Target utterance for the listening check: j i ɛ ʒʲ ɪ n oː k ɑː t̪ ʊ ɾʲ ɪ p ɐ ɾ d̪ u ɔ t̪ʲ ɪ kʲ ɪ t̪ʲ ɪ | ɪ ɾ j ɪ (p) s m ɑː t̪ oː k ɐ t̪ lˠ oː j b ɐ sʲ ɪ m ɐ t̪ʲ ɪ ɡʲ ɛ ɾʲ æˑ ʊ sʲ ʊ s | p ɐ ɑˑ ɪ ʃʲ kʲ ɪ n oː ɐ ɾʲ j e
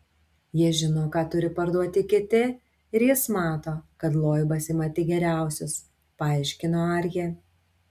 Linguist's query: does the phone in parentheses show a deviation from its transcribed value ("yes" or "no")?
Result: yes